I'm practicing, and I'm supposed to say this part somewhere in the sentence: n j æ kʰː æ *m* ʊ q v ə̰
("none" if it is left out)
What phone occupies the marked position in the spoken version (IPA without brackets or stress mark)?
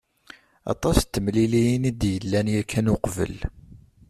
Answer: n